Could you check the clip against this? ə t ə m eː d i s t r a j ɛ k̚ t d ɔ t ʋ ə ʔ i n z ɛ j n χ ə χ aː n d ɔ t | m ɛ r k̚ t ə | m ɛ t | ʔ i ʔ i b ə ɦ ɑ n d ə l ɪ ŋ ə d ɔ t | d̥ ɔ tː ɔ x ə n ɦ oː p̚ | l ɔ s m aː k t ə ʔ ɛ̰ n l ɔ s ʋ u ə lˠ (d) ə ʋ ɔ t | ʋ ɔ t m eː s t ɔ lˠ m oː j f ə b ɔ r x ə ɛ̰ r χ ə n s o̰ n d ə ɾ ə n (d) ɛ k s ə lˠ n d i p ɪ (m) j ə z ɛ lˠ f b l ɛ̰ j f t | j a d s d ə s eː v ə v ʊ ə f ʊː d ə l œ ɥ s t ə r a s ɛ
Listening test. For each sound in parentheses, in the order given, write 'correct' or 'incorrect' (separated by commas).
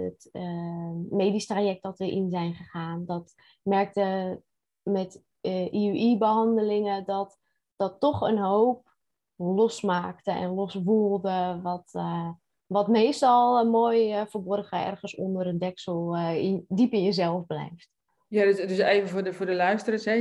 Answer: correct, correct, incorrect